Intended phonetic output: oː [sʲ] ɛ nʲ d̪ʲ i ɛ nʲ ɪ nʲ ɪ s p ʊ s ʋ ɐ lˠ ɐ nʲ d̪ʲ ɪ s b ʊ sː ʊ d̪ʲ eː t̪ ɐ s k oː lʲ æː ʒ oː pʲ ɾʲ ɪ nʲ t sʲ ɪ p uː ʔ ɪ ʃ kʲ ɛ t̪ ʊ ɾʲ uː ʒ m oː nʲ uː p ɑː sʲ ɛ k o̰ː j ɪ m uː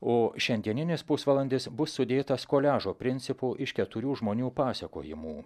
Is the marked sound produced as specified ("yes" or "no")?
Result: no